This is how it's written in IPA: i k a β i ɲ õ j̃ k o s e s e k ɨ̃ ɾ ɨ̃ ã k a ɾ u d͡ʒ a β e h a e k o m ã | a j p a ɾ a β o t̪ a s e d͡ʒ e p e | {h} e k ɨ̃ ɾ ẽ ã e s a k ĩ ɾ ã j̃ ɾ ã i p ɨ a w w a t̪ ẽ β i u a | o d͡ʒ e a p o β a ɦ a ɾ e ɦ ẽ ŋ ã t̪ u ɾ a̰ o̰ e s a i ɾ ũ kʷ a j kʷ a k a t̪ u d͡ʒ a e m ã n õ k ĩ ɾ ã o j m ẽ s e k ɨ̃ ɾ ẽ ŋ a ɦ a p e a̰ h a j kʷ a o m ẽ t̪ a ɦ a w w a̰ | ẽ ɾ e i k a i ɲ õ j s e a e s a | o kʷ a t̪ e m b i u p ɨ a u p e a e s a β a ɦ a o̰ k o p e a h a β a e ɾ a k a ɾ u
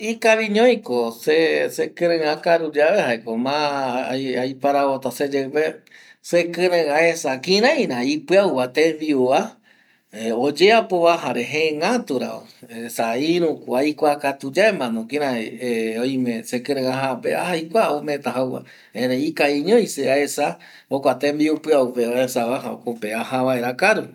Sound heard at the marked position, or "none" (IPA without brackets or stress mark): s